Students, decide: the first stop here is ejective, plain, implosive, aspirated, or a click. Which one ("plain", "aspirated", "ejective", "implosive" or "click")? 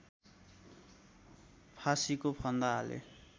aspirated